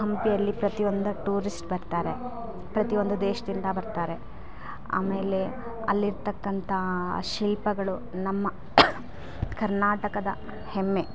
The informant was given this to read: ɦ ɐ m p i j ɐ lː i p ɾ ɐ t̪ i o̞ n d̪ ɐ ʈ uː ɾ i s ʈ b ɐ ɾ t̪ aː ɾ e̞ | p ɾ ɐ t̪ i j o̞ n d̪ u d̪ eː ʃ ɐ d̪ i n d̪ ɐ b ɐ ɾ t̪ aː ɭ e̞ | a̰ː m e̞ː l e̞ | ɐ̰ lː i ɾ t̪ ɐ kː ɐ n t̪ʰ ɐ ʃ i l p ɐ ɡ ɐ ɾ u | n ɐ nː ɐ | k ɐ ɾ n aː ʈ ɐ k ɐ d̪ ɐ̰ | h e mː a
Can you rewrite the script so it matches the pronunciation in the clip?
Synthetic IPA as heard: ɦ ɐ m p i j ɐ lː i p ɾ ɐ t̪ i o̞ n d̪ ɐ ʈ uː ɾ i s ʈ b ɐ ɾ t̪ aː ɾ e̞ | p ɾ ɐ t̪ i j o̞ n d̪ u d̪ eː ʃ ɐ d̪ i n d̪ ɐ b ɐ ɾ t̪ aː ɾ e̞ | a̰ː m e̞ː l e̞ | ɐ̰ lː i ɾ t̪ ɐ kː ɐ n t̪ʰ ɐ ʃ i l p ɐ ɡ ɐ ɭ u | n ɐ mː ɐ | k ɐ ɾ n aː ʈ ɐ k ɐ d̪ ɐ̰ | h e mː e